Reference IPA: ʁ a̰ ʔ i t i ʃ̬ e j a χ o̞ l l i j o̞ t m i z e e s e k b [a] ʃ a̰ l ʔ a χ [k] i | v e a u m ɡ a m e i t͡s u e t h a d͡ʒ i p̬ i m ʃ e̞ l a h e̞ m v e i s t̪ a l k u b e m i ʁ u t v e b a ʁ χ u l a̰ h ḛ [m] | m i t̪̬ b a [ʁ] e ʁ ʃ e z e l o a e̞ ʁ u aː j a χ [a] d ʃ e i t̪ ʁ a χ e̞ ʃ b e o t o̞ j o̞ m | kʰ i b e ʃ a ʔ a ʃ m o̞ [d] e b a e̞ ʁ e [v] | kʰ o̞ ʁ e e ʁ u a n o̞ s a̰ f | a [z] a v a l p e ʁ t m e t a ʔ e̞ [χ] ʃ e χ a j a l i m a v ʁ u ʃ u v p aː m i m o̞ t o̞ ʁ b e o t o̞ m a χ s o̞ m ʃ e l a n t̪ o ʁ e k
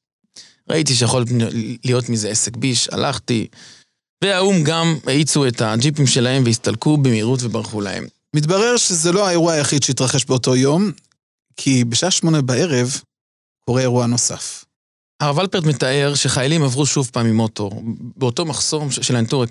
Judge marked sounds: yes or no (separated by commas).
no, no, yes, yes, no, no, yes, no, no